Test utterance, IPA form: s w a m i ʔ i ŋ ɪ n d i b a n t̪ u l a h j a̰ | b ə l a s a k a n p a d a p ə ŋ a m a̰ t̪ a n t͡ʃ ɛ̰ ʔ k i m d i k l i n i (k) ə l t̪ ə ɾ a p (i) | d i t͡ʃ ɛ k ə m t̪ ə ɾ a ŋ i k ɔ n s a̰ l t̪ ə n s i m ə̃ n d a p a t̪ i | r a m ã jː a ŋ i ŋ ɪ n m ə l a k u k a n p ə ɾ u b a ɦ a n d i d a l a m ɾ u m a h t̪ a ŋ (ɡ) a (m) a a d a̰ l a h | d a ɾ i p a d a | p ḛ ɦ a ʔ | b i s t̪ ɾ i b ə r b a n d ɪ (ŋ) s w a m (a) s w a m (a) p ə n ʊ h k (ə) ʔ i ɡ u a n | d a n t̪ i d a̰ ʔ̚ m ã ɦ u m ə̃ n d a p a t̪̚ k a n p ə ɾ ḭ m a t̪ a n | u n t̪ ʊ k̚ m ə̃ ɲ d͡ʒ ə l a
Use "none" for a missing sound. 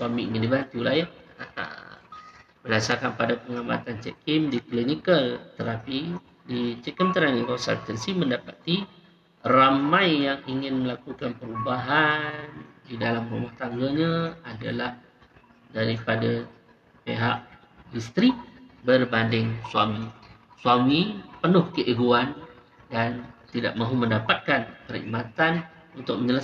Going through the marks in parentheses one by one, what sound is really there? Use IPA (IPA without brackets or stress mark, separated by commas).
k, i, ɡ, ɲ, ŋ, i, i, ə